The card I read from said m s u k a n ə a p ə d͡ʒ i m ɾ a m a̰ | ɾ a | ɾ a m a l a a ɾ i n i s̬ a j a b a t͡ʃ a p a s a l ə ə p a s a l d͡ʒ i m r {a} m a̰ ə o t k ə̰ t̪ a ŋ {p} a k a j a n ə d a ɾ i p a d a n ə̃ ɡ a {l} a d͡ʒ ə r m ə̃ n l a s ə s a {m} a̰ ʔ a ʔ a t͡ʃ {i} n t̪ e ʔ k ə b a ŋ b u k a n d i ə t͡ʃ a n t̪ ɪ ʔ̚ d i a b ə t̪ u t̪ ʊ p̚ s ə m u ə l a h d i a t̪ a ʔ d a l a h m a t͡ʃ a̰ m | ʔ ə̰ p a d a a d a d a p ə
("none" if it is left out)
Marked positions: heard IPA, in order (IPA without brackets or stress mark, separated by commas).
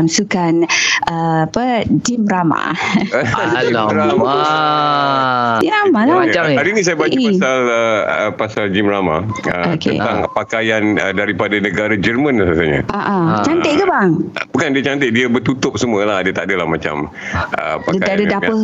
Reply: a, p, ɾ, ɲ, a